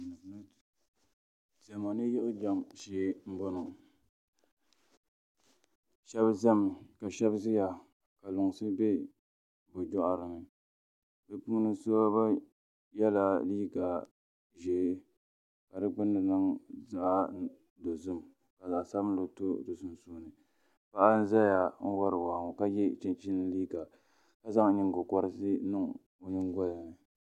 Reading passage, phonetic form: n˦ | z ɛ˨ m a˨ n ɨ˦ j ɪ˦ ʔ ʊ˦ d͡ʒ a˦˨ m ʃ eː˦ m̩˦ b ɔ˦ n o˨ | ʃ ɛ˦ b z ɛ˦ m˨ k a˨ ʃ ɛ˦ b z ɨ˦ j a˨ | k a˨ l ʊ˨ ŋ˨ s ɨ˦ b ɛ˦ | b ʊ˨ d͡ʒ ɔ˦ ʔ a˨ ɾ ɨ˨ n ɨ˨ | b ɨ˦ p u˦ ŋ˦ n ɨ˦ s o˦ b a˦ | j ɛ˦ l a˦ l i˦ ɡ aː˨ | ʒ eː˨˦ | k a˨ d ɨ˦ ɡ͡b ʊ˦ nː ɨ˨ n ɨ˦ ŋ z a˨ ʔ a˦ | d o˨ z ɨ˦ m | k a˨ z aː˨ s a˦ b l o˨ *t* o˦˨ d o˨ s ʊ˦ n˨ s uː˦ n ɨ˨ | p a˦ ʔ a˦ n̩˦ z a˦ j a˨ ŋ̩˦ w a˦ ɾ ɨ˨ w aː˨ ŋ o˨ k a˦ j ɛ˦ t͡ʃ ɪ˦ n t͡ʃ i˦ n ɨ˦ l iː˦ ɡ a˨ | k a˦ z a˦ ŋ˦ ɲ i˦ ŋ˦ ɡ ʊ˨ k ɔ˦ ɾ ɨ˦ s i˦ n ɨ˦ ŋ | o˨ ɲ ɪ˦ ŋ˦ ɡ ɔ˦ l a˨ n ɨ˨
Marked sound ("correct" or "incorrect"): correct